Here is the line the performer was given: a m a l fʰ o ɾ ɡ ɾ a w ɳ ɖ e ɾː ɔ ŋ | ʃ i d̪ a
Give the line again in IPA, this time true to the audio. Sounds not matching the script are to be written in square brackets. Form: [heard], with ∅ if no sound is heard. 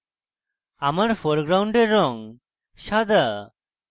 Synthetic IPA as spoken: a m a [ɾ] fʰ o ɾ ɡ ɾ a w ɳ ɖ e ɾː ɔ ŋ | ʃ [a] d̪ a